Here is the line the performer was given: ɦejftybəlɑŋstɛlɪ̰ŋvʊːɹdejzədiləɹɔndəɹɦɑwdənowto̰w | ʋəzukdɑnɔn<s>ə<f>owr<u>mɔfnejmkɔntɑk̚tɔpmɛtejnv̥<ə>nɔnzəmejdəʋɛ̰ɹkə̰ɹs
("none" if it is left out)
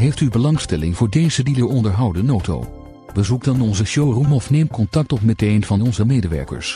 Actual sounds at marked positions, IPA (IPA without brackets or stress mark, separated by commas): z, ʃ, u, ɑ